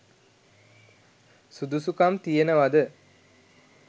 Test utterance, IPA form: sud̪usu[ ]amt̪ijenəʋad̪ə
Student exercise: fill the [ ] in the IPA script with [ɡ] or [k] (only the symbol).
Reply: k